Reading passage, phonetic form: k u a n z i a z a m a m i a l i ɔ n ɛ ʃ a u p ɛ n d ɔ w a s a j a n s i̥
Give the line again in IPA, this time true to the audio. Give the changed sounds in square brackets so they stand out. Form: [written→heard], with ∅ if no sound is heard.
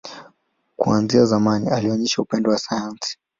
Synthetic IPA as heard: k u a n z i a z a m a [m→n] i a l i ɔ [n→ɲ] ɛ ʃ a u p ɛ n d ɔ w a s a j a n s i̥

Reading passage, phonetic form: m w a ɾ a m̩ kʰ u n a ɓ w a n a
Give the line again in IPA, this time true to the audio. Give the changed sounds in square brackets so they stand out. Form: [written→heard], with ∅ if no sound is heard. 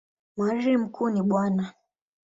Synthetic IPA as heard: m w a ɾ [a→i] m̩ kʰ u n [a→i] ɓ w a n a

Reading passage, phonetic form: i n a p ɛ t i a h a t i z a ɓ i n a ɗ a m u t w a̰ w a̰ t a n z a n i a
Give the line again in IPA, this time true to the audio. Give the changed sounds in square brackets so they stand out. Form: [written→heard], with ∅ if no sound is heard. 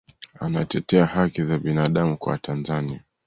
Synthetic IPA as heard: [i→a] n a [p→t] ɛ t [i→ɛ] a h a [t→k] i z a ɓ i n a ɗ a m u [t→k] w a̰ w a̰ t a n z a n i a

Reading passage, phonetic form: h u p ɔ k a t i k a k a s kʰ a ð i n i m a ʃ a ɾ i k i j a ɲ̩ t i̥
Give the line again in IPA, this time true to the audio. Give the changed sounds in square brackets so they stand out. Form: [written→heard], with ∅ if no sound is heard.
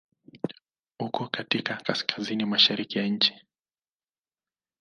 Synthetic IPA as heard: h u [p→k] ɔ k a t i k a k a s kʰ a [ð→z] i n i m a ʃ a ɾ i k i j a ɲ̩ [t→t͡ʃ] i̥

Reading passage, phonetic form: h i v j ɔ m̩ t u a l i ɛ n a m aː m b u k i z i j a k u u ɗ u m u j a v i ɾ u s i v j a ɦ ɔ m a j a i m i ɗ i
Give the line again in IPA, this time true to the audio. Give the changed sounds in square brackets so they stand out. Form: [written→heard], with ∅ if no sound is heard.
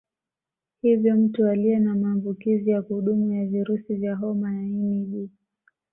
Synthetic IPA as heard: h i v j ɔ m̩ t u a l i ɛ n a m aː m b u k i z i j a k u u ɗ u m u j a v i ɾ u s i v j a ɦ ɔ m a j a i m i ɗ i

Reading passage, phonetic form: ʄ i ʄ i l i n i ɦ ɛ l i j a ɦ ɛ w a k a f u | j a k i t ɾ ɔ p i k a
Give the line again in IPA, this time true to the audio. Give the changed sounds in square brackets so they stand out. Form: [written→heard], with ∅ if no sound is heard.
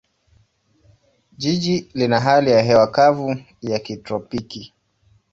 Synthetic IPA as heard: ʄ i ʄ i l i n [i→a] ɦ [ɛ→a] l i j a ɦ ɛ w a k a [f→v] u | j a k i t ɾ ɔ p i k [a→i]

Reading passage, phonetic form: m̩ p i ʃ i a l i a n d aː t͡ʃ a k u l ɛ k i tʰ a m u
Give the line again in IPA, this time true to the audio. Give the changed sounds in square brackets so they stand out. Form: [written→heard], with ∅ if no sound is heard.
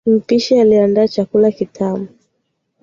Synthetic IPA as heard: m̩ p i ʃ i a l i a n d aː t͡ʃ a k u l [ɛ→a] k i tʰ a m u

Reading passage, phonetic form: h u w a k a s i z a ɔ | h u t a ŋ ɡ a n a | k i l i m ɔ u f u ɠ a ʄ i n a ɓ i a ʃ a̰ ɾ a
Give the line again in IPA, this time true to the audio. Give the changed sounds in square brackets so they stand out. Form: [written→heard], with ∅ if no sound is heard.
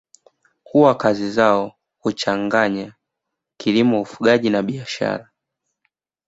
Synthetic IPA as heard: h u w a k a [s→z] i z a ɔ | h u [t→t͡ʃ] a ŋ ɡ a [n→ɲ] a | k i l i m ɔ u f u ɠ a ʄ i n a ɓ i a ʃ a̰ ɾ a

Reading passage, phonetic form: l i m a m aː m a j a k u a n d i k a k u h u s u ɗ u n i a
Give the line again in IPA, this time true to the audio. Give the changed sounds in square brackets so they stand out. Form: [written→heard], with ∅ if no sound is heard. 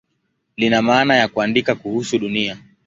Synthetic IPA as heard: l i [m→n] a m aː [m→n] a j a k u a n d i k a k u h u s u ɗ u n i a

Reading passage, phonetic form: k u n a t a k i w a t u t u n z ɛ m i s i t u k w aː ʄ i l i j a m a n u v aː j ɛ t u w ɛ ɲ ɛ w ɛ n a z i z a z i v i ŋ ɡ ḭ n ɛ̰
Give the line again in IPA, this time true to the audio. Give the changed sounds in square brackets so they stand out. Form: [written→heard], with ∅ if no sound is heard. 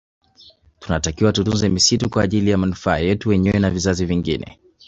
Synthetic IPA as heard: [k→t] u n a t a k i w a t u t u n z ɛ m i s i t u k w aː ʄ i l i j a m a n u [v→f] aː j ɛ t u w ɛ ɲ ɛ w ɛ n a [z→v] i z a z i v i ŋ ɡ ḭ n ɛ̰

